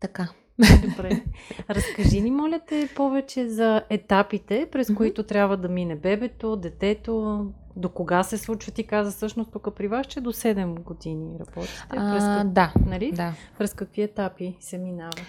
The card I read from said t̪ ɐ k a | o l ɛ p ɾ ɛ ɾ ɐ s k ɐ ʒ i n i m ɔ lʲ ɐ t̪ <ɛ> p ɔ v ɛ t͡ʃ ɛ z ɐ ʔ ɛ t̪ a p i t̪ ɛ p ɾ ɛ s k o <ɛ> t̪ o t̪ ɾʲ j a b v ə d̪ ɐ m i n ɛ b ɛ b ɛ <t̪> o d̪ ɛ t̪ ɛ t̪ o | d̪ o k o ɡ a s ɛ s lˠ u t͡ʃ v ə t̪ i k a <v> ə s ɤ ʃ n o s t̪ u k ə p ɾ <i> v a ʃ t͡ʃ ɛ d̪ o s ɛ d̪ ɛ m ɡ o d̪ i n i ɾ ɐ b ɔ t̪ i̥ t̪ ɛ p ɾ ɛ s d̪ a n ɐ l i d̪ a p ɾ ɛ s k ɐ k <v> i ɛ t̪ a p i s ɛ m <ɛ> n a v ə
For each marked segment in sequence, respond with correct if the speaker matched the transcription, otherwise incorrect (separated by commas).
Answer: correct, incorrect, correct, incorrect, correct, correct, incorrect